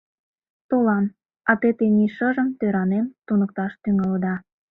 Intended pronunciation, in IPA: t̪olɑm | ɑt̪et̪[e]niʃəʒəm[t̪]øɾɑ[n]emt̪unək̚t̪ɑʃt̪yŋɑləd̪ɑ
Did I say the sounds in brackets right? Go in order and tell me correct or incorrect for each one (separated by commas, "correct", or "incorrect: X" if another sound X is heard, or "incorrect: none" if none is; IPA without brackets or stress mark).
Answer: correct, correct, correct